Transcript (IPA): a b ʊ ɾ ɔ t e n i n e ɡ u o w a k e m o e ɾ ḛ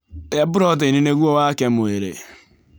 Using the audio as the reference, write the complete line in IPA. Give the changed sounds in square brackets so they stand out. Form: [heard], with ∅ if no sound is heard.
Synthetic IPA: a b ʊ ɾ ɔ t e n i n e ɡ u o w a k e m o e ɾ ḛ